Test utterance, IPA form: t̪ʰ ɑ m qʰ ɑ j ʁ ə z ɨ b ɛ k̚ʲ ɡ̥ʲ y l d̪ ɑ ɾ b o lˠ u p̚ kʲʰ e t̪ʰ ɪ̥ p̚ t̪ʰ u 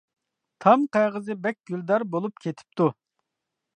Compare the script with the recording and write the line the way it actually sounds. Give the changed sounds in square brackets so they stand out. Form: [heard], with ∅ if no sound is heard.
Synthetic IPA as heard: t̪ʰ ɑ m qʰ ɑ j ʁ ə z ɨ b ɛ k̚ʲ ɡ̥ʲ y l d̪ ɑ ɾ b o lˠ u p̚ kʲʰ e t̪ʰ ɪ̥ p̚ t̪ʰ u